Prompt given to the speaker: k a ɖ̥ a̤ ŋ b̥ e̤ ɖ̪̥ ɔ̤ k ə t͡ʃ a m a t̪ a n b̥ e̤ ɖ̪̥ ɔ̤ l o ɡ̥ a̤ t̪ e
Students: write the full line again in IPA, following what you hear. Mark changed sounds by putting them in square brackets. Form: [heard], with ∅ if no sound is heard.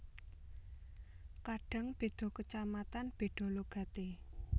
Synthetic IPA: k a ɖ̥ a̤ ŋ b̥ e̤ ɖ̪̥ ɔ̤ k ə t͡ʃ a m a t̪ a n b̥ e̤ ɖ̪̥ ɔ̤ l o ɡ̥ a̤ t̪ e